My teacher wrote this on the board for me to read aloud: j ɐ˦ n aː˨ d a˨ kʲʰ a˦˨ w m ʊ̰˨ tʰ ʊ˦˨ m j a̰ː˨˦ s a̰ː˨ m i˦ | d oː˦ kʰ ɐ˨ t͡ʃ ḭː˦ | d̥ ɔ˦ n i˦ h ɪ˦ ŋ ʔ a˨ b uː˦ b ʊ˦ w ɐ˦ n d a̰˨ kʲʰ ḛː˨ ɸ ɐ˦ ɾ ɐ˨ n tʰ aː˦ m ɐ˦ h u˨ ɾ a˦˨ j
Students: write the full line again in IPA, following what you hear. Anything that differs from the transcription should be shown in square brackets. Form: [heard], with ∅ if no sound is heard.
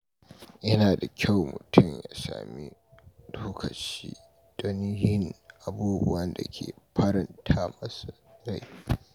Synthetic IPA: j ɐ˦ n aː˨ d a˨ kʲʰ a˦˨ w m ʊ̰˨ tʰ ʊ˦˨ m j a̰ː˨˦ s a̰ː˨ m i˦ | d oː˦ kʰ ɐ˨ t͡ʃ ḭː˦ | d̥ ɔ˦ n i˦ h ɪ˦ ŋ ʔ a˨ b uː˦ b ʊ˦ w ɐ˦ n d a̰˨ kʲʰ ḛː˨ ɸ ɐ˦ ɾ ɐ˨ n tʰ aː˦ m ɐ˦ [s] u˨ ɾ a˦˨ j